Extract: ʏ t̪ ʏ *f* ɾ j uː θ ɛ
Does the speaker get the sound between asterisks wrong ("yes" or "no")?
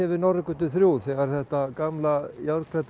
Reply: yes